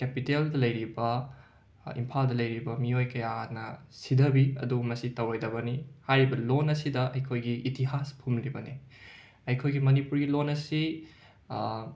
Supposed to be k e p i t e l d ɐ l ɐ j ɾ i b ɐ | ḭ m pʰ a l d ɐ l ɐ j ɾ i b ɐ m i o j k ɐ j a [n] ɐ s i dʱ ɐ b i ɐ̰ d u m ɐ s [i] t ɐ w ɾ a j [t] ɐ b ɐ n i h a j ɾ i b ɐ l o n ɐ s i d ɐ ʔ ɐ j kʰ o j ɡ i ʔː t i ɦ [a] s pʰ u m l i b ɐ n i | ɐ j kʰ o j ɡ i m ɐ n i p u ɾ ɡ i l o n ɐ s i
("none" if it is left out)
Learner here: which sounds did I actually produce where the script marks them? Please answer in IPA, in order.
n, i, d, a

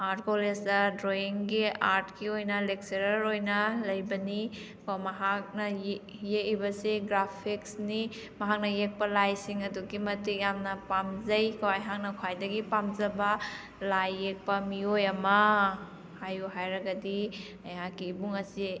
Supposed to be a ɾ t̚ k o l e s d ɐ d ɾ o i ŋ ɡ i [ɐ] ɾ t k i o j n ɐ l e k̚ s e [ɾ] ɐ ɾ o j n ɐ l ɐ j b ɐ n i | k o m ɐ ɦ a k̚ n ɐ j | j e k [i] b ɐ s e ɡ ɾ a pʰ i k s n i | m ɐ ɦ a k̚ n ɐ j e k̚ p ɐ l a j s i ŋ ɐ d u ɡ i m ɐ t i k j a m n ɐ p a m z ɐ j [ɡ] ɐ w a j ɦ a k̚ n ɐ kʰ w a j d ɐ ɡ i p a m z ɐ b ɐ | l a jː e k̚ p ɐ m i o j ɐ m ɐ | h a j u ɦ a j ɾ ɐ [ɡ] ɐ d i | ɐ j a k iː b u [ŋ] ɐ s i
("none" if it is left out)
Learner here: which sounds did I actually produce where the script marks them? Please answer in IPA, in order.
a, ɾ, i, k, ɡ, ŋ

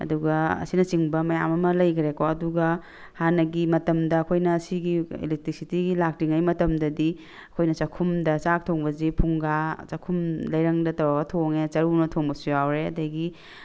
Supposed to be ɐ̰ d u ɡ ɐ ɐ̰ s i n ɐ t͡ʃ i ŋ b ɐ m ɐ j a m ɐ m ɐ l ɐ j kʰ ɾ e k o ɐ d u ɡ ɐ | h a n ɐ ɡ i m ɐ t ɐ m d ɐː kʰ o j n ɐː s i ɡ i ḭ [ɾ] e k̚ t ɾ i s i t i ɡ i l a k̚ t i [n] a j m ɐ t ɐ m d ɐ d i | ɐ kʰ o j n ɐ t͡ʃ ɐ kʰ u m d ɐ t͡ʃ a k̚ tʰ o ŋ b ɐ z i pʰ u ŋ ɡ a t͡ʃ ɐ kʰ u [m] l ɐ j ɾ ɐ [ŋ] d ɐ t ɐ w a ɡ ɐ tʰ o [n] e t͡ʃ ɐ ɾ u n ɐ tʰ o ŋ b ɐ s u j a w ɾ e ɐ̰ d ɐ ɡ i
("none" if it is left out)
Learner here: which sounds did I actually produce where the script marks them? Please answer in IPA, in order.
l, ŋ, m, ŋ, ŋ

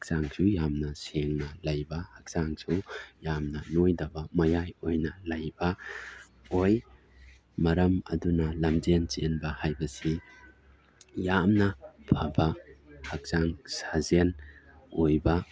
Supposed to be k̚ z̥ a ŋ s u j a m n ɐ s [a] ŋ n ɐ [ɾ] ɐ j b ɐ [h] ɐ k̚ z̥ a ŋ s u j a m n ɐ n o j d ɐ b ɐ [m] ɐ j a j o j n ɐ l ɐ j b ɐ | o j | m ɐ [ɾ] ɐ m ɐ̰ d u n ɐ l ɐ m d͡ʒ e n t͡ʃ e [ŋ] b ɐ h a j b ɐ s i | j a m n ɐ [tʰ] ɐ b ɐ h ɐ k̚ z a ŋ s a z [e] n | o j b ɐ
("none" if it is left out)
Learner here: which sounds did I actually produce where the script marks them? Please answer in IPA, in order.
e, l, h, m, ɾ, n, pʰ, e

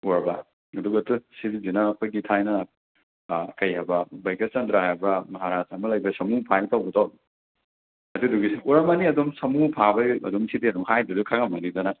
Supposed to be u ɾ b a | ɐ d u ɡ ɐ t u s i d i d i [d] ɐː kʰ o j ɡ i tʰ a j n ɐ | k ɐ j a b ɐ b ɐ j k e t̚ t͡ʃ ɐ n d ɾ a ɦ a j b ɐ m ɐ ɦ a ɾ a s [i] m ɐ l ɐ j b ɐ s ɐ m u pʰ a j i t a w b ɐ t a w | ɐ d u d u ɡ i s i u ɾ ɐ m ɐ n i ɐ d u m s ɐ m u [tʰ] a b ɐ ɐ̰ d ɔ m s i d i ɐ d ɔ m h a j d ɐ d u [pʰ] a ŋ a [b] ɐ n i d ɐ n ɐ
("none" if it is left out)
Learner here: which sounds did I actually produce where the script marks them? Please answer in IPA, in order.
n, a, pʰ, kʰ, m

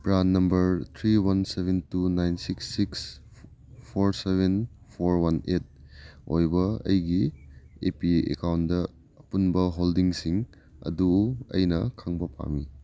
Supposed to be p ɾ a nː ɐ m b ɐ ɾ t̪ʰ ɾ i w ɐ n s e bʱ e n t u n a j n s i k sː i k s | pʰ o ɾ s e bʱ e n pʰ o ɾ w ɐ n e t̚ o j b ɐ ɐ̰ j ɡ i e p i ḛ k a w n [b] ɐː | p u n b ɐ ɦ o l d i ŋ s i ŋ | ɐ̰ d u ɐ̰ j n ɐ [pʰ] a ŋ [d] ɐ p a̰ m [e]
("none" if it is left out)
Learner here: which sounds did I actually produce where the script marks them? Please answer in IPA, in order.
d, kʰ, b, i

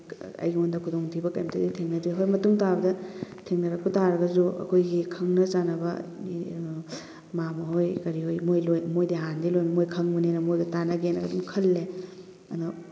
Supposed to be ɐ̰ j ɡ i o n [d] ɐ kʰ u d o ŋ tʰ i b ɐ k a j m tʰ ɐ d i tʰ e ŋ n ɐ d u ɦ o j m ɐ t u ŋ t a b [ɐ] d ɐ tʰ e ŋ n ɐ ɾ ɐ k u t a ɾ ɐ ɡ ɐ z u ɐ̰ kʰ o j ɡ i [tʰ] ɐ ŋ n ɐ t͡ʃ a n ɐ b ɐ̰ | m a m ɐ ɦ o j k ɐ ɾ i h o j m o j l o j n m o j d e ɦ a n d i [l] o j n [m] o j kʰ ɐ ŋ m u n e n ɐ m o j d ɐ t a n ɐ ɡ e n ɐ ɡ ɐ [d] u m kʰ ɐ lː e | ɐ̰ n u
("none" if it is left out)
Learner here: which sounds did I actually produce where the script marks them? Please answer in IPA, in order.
d, ɐ, kʰ, l, m, d

